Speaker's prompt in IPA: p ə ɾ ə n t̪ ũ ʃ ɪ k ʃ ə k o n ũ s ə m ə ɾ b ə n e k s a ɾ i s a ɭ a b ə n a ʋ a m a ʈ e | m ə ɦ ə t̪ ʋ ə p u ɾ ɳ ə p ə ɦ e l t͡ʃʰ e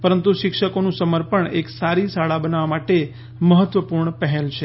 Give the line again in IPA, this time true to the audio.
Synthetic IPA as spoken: p ə ɾ ə n t̪ u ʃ ɪ k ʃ ə k o n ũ s ə m ə ɾ p ə ɳ e k s a ɾ i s a ɭ a b ə n a ʋ a m a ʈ e | m ə ɦ ə t̪ ʋ ə p u ɾ ɳ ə p ə ɦ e l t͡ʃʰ e